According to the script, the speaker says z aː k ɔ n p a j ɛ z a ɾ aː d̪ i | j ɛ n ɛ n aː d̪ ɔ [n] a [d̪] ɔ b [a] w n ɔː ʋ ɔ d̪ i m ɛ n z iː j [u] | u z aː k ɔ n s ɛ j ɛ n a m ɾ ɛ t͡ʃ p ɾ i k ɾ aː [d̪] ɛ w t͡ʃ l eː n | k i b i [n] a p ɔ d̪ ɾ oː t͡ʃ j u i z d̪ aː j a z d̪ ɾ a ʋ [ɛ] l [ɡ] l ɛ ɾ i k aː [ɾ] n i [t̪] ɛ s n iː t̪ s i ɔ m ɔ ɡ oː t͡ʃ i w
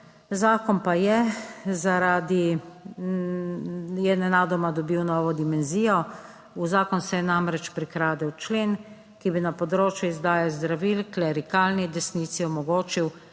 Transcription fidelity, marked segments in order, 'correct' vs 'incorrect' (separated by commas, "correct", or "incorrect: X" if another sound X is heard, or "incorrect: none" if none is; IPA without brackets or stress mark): incorrect: m, correct, incorrect: i, incorrect: ɔ, correct, correct, incorrect: i, incorrect: k, incorrect: l, incorrect: d̪